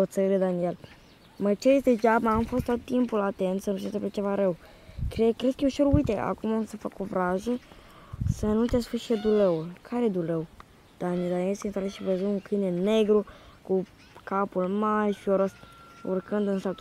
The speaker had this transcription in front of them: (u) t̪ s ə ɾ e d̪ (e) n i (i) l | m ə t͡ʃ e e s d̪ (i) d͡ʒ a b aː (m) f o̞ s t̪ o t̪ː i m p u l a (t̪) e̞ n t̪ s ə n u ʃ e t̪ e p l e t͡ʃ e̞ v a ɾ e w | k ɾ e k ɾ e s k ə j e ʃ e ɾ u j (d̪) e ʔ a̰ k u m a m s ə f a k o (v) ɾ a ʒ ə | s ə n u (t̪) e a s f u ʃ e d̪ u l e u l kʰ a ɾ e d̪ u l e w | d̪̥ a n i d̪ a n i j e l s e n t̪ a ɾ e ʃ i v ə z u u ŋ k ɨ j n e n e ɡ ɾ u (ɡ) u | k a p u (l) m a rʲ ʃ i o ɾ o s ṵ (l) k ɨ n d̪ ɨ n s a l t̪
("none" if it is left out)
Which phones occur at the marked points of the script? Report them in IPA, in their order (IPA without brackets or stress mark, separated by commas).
o, a, e, e, m, t̪, t̪, v, t̪, k, l, r